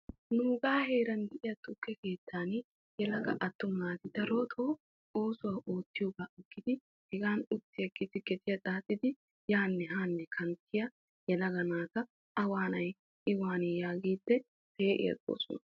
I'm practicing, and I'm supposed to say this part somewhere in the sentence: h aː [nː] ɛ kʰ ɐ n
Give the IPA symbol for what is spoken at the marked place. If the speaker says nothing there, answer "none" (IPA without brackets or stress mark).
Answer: nː